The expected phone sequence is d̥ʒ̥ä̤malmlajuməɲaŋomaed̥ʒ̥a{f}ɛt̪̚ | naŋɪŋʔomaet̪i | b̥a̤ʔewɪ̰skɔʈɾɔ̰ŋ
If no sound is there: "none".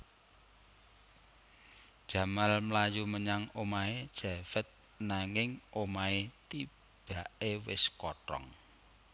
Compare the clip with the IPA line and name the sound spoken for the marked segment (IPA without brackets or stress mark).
f